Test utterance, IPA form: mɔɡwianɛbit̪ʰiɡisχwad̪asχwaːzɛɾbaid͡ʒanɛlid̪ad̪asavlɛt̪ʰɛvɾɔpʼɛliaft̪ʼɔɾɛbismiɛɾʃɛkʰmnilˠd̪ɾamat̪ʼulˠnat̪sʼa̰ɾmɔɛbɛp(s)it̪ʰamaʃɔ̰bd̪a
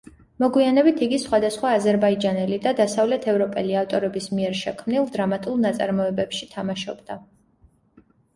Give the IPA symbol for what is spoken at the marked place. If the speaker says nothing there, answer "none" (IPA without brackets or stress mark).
ʃ